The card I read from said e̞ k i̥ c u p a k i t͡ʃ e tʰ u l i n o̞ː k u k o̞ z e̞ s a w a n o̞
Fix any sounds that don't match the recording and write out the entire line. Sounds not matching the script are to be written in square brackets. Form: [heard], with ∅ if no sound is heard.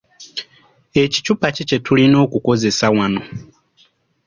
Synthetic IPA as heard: e̞ [c] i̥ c u p a [c] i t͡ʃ e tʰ u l i n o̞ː k u k o̞ z e̞ s a w a n o̞